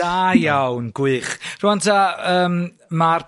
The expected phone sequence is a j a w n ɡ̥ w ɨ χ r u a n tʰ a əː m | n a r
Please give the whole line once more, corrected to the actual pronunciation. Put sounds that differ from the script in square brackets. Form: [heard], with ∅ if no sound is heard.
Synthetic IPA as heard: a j a w n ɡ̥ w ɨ χ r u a n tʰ a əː m | [m] a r